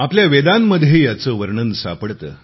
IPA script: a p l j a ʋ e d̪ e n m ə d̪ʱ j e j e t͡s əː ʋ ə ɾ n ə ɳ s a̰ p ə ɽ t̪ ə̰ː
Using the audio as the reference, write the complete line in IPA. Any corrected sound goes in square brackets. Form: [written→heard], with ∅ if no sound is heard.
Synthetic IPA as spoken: a p l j a ʋ e d̪ [e→a] n m ə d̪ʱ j e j [e→a] t͡s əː ʋ ə ɾ [n→ɳ] ə [ɳ→n] s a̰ p ə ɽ t̪ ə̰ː